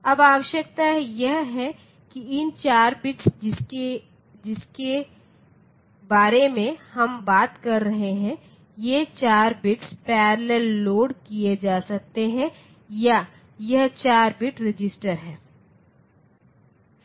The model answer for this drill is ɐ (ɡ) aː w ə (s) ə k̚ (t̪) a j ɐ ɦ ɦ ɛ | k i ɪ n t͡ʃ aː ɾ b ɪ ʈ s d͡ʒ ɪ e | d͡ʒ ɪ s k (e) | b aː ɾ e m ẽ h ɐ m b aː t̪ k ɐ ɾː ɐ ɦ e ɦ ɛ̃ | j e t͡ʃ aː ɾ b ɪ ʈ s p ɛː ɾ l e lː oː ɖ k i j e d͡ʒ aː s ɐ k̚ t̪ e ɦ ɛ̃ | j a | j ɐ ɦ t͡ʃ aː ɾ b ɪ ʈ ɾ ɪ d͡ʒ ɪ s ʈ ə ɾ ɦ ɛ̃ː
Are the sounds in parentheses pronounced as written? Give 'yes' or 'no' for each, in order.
no, no, yes, yes

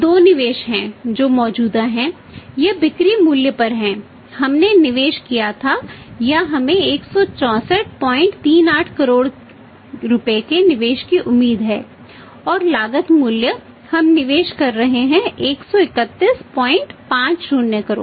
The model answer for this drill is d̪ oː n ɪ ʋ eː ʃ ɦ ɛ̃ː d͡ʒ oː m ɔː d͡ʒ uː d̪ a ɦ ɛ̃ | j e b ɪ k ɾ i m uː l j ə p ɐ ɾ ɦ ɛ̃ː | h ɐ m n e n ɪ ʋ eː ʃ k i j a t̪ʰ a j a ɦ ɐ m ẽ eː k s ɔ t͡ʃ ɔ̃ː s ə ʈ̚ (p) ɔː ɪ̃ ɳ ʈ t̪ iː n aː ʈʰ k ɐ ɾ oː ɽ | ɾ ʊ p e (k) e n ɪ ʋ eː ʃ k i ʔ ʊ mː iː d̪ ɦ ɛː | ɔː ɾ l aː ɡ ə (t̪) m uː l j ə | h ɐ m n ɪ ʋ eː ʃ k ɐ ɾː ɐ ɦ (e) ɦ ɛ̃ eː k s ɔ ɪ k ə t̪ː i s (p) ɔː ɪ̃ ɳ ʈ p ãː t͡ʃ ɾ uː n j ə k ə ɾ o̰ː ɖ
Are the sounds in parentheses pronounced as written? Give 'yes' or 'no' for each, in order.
yes, yes, yes, yes, yes

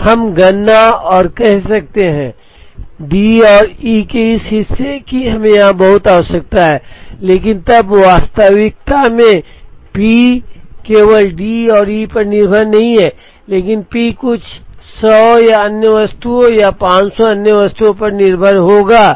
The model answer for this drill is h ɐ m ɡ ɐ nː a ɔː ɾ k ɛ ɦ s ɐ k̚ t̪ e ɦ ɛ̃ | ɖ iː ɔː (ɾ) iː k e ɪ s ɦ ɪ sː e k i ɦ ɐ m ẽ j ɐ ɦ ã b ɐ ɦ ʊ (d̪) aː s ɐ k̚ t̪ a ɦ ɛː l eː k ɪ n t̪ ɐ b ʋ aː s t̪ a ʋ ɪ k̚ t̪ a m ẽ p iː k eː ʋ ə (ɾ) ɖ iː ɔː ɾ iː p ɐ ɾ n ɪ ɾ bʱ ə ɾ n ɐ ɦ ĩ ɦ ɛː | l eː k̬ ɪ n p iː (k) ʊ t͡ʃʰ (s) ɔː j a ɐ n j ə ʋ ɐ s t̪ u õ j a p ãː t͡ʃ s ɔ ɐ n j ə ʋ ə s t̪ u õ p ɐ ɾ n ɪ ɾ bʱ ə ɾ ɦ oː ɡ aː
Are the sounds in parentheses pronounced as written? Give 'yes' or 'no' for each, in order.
yes, no, no, yes, yes

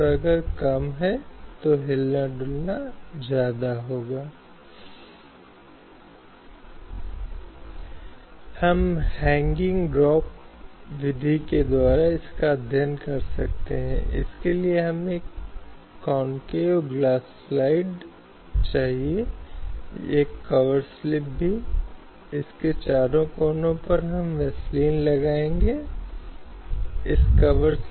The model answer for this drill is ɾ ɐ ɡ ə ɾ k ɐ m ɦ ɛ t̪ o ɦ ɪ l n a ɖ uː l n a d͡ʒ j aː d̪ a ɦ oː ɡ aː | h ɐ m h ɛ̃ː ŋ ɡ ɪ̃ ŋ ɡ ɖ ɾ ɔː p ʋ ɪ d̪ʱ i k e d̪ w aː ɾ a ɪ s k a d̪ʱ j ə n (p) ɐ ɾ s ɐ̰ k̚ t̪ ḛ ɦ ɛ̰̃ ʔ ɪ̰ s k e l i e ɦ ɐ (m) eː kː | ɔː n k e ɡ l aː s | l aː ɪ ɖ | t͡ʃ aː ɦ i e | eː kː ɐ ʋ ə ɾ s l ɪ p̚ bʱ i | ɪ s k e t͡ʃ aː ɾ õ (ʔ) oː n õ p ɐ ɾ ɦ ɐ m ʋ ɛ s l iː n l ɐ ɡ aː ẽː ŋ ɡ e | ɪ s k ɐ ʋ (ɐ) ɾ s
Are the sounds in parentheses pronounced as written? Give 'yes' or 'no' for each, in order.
no, yes, no, no

